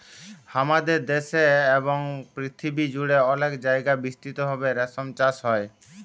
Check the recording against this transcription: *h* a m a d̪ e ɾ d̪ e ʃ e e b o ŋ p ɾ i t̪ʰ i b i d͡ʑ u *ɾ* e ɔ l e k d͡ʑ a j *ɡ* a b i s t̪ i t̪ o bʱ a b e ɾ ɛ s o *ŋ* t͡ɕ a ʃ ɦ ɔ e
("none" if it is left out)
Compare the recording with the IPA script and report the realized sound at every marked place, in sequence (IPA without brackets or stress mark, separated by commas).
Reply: h, ɽ, ɡ, m